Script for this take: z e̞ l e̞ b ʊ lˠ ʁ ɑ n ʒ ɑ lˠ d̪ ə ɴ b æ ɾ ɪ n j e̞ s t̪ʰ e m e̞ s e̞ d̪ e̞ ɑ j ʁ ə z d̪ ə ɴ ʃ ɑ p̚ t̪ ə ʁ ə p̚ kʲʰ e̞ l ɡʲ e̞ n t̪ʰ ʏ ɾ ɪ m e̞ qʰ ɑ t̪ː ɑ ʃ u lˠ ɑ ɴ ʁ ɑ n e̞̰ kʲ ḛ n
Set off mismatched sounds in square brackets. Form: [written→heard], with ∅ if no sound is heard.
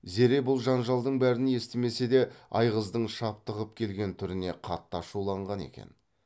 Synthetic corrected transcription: z e̞ [l→ɾ] e̞ b ʊ lˠ [ʁ→ʒ] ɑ n ʒ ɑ lˠ d̪ ə ɴ b æ ɾ ɪ n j e̞ s [t̪ʰ→t̪] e m e̞ s e̞ d̪ e̞ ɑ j ʁ ə z d̪ ə ɴ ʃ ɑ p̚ t̪ ə ʁ ə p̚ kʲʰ e̞ l ɡʲ e̞ n t̪ʰ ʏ ɾ ɪ [m→n] e̞ qʰ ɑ t̪ː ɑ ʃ u lˠ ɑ ɴ ʁ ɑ n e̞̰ kʲ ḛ n

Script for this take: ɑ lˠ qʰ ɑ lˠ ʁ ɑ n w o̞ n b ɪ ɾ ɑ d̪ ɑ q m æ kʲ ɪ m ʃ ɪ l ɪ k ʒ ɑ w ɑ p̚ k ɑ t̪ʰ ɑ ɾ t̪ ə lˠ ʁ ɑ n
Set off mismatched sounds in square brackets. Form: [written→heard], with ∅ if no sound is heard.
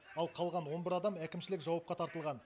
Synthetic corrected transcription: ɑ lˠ qʰ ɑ lˠ ʁ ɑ n w o̞ n b ɪ ɾ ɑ d̪ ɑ [q→∅] m æ kʲ ɪ m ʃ ɪ l ɪ k ʒ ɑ w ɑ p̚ [k→q] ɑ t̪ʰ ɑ ɾ t̪ ə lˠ ʁ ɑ n

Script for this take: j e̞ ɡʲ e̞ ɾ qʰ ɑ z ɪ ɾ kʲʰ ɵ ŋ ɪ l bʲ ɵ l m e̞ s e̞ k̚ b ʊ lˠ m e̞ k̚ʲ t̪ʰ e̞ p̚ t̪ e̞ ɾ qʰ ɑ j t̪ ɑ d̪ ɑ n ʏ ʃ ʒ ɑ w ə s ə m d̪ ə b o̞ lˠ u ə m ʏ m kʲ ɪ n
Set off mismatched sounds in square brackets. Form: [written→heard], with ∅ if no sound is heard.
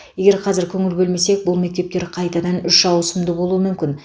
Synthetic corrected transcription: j e̞ ɡʲ e̞ ɾ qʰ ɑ z ɪ ɾ kʲʰ ɵ ŋ ɪ l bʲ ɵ l m e̞ s e̞ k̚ b ʊ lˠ m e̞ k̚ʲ [t̪ʰ→t̪] e̞ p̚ t̪ e̞ ɾ qʰ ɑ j t̪ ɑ d̪ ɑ n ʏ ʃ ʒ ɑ w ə s ə m d̪ ə b o̞ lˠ u ə m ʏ m kʲ ɪ n

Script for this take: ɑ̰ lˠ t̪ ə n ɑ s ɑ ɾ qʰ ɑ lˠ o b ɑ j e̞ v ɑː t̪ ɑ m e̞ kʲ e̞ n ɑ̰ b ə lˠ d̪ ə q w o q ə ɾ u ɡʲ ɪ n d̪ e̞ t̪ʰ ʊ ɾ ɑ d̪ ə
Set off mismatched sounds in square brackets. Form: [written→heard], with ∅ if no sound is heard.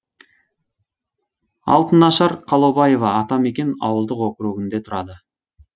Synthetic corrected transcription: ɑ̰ lˠ t̪ ə n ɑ [s→ʃ] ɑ ɾ qʰ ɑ lˠ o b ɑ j e̞ v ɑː t̪ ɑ m e̞ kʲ e̞ n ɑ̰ [b→w] ə lˠ d̪ ə q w o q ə ɾ u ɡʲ ɪ n d̪ e̞ t̪ʰ ʊ ɾ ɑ d̪ ə

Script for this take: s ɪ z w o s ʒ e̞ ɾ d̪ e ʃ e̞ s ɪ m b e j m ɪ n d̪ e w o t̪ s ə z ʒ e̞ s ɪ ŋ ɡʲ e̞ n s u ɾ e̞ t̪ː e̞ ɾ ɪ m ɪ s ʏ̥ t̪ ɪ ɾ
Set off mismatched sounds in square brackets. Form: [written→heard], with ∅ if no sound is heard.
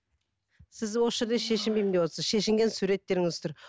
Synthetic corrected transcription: s ɪ z w o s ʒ e̞ ɾ d̪ e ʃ e̞ [s→ʃ] ɪ m b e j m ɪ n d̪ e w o t̪ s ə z [ʒ→ʃ] e̞ [s→ʃ] ɪ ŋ ɡʲ e̞ n s u ɾ e̞ t̪ː e̞ ɾ ɪ [m→ŋ] ɪ [s→z] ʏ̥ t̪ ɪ ɾ

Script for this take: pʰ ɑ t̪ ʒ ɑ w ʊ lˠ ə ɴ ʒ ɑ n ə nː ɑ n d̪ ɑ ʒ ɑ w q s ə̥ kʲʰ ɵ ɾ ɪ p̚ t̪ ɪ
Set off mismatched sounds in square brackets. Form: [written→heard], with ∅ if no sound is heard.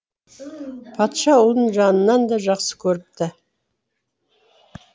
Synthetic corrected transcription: pʰ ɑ t̪ [ʒ→ʃ] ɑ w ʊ lˠ ə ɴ ʒ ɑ n ə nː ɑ n d̪ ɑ ʒ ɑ [w→∅] q s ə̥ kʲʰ ɵ ɾ ɪ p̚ t̪ ɪ

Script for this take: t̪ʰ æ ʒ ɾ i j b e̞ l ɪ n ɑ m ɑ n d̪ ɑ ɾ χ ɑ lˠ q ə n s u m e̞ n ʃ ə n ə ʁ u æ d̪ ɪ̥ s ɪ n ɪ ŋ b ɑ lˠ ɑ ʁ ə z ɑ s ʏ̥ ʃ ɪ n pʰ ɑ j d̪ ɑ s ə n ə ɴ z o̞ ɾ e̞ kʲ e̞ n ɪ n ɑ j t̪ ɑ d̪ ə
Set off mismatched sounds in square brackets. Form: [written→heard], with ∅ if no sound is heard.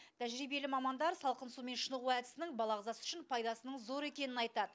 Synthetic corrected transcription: t̪ʰ æ ʒ ɾ i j b e̞ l ɪ [n→m] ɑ m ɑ n d̪ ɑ ɾ [χ→s] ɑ lˠ q ə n s u m e̞ n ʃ ə n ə ʁ u æ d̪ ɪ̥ s ɪ n ɪ ŋ b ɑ lˠ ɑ ʁ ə z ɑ s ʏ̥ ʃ ɪ n pʰ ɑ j d̪ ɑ s ə n ə ɴ z o̞ ɾ e̞ kʲ e̞ n ɪ n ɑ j t̪ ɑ d̪ ə

